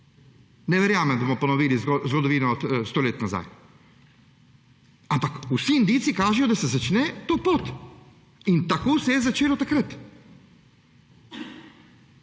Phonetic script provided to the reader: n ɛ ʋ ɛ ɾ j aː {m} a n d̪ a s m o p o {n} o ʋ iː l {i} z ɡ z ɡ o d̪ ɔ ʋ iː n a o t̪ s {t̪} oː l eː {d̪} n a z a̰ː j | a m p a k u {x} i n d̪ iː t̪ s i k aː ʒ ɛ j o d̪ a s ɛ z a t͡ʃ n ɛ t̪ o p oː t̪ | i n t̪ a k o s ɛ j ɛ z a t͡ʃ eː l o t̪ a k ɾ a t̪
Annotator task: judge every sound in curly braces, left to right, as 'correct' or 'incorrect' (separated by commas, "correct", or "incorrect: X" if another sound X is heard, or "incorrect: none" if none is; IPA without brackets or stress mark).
correct, correct, correct, correct, incorrect: t̪, incorrect: s